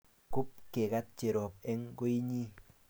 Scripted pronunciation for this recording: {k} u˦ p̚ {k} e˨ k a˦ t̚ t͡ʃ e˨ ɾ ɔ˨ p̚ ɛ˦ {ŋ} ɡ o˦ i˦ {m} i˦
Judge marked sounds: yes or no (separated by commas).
yes, yes, yes, no